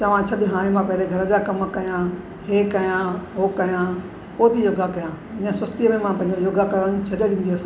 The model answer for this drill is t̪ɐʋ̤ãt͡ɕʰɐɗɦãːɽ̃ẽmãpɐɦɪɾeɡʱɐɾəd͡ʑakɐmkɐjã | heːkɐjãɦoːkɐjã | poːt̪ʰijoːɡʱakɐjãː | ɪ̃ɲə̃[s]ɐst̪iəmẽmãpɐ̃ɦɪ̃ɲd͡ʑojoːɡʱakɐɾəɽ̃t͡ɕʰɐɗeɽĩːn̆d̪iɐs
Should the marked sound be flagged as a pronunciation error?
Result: no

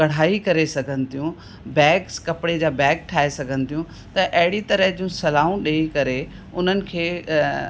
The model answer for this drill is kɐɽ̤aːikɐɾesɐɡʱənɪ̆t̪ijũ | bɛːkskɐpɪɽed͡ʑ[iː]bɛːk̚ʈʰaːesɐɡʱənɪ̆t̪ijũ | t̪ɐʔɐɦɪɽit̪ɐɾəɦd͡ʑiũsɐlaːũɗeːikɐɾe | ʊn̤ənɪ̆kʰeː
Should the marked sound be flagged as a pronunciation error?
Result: yes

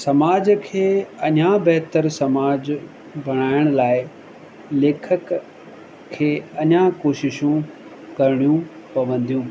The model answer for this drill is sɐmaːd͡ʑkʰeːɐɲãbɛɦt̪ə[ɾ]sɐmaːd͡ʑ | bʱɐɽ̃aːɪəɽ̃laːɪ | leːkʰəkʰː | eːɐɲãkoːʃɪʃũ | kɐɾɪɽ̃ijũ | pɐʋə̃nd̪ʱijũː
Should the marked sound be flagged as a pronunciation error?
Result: no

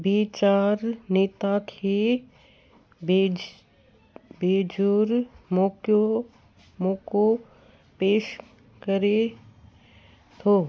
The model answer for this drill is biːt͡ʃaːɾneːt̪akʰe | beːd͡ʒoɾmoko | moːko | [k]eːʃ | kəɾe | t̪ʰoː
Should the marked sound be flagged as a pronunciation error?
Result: yes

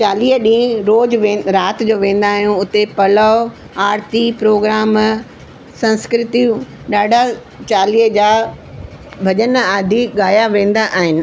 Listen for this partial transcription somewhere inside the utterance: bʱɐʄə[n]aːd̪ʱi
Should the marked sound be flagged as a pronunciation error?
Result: no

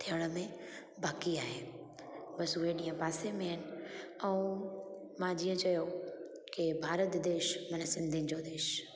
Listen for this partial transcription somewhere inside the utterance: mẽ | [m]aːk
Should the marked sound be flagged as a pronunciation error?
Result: yes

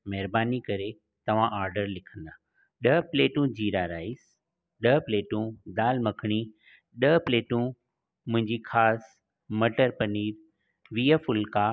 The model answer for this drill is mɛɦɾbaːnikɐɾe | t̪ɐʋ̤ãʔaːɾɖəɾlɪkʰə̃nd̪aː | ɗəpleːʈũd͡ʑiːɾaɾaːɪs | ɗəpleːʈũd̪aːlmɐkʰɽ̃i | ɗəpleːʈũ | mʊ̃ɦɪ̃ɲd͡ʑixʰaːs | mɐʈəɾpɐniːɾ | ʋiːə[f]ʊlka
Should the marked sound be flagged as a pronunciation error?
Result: no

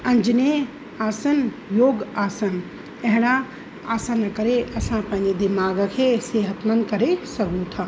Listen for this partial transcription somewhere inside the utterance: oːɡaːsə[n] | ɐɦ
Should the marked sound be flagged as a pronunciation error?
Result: no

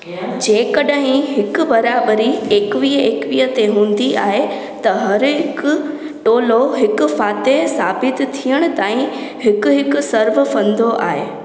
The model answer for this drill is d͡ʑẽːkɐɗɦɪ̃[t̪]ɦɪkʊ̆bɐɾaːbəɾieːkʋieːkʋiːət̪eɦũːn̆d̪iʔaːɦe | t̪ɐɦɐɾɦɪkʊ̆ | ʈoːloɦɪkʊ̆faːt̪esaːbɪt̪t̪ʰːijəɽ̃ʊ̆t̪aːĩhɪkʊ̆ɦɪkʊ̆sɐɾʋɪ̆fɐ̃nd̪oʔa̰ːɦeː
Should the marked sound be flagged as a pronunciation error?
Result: yes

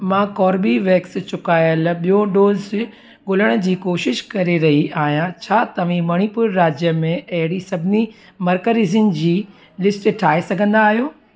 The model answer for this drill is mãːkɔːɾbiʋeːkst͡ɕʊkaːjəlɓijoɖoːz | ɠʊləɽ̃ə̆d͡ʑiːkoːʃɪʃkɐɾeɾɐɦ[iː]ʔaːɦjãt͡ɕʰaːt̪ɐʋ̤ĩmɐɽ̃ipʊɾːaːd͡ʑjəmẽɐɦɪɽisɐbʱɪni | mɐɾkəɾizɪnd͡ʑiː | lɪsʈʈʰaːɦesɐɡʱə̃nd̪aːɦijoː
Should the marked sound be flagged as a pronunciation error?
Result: yes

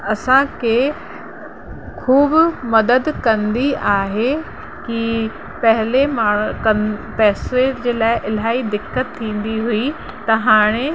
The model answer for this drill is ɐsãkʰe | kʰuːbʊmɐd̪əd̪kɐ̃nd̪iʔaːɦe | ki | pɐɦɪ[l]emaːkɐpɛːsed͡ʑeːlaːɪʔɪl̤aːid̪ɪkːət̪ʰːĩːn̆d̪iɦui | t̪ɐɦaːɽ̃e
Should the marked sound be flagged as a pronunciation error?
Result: no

